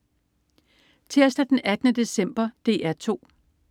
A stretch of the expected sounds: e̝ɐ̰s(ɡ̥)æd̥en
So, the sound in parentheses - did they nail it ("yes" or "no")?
no